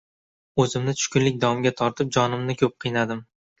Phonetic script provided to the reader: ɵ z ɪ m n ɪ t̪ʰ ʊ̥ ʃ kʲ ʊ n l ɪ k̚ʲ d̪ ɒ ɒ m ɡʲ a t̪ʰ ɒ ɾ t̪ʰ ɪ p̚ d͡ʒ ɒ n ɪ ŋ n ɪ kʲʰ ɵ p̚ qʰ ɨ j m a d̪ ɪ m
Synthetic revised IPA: ɵ z ɪ m n ɪ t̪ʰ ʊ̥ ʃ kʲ ʊ n l ɪ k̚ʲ d̪ ɒ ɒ m ɡʲ a t̪ʰ ɒ ɾ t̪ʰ ɪ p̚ d͡ʒ ɒ n ɪ m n ɪ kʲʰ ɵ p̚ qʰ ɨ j n a d̪ ɪ m